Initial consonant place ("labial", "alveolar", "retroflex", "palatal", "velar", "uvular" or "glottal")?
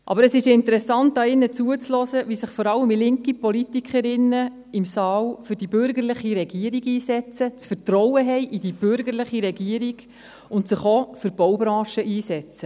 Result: glottal